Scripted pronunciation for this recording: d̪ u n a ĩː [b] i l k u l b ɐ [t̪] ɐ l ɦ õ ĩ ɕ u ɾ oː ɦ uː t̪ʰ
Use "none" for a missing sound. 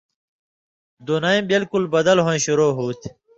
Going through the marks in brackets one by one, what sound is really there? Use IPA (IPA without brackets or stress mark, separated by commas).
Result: b, d̪